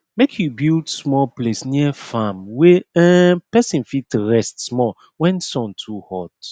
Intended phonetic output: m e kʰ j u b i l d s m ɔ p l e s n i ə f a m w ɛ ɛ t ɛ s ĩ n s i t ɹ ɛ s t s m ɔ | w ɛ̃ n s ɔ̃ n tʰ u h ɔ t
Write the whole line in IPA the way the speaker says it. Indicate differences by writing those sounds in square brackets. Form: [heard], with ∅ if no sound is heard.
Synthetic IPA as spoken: m e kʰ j u b i l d s m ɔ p l e s n i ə f a m w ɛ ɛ [p] ɛ s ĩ n [f] i t ɹ ɛ s t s m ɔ | w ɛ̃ n s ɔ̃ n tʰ u h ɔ t